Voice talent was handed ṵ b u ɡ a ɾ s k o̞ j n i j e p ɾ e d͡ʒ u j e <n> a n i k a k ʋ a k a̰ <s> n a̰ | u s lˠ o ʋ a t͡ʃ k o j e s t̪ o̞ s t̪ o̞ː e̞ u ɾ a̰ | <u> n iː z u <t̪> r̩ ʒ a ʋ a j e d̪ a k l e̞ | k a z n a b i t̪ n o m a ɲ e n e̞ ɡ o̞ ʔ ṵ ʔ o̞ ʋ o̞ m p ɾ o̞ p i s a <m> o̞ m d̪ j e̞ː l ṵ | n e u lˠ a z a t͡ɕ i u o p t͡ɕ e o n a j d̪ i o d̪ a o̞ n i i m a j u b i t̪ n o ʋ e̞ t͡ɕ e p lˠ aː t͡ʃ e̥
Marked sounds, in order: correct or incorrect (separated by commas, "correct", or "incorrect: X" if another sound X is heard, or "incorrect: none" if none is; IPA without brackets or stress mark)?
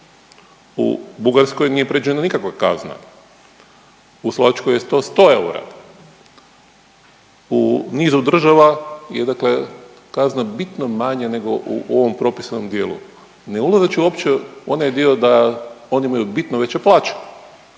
correct, incorrect: z, correct, incorrect: d̪, incorrect: n